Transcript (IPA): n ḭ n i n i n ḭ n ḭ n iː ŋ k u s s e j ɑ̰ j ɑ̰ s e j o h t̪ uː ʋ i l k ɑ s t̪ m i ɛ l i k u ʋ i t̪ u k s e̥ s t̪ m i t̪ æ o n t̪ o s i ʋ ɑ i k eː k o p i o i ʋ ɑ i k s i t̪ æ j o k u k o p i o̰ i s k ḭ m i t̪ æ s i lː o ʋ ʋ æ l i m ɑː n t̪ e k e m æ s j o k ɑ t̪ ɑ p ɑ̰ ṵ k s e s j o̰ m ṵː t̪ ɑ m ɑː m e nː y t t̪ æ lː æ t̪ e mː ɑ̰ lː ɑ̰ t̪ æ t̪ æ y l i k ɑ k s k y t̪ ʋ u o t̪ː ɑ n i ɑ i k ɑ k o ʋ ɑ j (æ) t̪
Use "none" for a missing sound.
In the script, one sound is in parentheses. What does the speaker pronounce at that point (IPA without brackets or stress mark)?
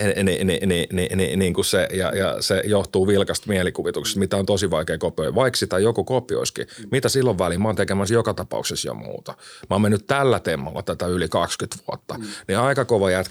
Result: æ